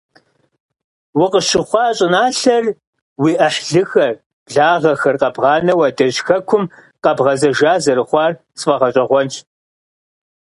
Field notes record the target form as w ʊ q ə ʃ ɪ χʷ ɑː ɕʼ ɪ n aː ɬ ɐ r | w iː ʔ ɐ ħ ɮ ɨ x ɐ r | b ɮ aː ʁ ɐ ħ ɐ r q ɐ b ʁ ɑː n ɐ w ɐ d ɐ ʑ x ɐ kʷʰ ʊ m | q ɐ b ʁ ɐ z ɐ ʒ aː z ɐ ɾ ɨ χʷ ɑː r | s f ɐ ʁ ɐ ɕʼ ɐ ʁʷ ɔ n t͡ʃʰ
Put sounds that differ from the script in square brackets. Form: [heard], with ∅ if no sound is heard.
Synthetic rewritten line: w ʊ q ə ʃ ɪ χʷ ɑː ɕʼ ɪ n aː ɬ ɐ r | w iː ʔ ɐ ħ ɮ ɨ x ɐ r | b ɮ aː ʁ ɐ [x] ɐ r q ɐ b ʁ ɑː n ɐ w ɐ d ɐ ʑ x ɐ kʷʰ ʊ m | q ɐ b ʁ ɐ z ɐ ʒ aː z ɐ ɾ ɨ χʷ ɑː r | s f ɐ ʁ ɐ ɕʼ ɐ ʁʷ ɔ n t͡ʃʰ